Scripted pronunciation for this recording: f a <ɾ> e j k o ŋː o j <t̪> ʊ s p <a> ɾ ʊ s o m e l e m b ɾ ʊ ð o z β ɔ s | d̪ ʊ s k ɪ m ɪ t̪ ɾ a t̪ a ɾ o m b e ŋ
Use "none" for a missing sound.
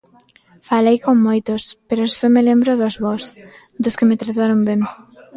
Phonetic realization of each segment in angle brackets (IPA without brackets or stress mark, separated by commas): l, t̪, e